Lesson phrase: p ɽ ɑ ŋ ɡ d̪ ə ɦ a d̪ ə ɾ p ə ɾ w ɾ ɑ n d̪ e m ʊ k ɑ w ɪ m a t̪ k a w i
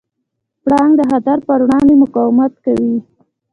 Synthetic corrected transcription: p ɽ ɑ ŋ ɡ d̪ ə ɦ a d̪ a ɾ p ə ɾ w ɽ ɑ n d̪ e m ʊ k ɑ w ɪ m a t̪ k a w i